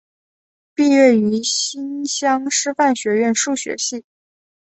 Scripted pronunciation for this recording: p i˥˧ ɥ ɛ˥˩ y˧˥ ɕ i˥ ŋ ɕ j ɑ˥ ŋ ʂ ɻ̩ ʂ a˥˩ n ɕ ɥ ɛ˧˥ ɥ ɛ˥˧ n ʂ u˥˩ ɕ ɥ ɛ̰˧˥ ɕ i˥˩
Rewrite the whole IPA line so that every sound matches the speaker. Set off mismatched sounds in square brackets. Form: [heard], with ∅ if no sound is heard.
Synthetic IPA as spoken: p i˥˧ ɥ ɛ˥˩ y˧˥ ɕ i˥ [n] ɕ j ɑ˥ ŋ ʂ ɻ̩ [f] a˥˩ n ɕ ɥ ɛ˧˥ ɥ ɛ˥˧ n ʂ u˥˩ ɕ ɥ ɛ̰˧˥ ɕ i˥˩